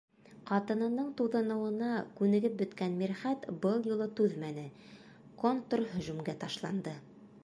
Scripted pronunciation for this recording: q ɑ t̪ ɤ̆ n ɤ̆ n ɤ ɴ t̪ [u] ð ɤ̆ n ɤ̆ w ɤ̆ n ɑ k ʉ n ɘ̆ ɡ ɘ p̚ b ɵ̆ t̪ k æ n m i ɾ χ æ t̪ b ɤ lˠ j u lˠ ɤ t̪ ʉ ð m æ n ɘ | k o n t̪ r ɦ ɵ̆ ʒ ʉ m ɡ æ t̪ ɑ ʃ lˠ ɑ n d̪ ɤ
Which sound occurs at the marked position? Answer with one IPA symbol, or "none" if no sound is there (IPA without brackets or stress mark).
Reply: u